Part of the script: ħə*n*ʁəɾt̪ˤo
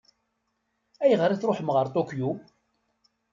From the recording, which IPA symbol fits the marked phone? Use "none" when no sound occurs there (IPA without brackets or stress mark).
m